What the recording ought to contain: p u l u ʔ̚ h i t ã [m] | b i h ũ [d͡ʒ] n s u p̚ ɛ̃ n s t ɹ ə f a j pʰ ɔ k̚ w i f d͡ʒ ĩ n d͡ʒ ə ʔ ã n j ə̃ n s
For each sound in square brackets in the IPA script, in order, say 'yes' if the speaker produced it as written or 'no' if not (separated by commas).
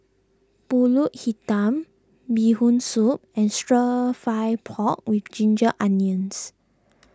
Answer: yes, no